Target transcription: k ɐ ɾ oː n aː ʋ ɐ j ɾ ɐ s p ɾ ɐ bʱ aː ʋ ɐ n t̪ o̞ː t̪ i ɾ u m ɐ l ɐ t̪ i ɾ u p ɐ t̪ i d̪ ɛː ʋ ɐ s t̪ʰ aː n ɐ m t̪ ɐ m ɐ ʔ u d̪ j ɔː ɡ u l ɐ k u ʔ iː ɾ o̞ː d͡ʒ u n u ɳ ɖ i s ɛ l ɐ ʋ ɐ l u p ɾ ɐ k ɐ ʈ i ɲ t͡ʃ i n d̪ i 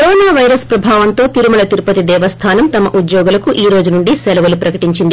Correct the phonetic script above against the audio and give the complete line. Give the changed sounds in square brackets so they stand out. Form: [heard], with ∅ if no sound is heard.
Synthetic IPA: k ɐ ɾ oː n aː ʋ ɐ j ɾ ɐ s p ɾ ɐ bʱ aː ʋ ɐ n t̪ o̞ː t̪ i ɾ u m ɐ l ɐ t̪ i ɾ u p ɐ t̪ i d̪ ɛː ʋ ɐ s t̪ʰ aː n ɐ m t̪ ɐ m ɐ ʔ u d̪ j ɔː ɡ u l ɐ k u ʔ iː ɾ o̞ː d͡ʒ u n u ɳ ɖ i s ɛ l ɐ ʋ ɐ l u p ɾ ɐ k ɐ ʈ i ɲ t͡ʃ i n d̪ i